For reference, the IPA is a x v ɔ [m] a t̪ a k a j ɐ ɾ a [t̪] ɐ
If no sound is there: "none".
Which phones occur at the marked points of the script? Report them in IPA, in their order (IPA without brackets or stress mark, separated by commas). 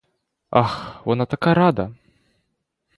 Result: n, d̪